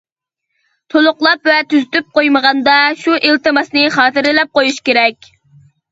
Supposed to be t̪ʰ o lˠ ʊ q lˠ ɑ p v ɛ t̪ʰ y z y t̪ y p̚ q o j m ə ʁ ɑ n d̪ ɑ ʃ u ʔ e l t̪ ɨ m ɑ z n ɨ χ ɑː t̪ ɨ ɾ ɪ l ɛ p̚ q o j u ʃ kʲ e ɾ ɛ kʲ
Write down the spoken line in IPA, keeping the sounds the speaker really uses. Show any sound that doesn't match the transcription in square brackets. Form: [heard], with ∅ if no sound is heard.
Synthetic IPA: t̪ʰ o lˠ ʊ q lˠ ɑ p v ɛ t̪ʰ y z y t̪ y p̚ q o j m ə ʁ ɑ n d̪ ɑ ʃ u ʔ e l t̪ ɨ m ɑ [s] n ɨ χ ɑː t̪ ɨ ɾ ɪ l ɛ p̚ q o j u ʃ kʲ e ɾ ɛ kʲ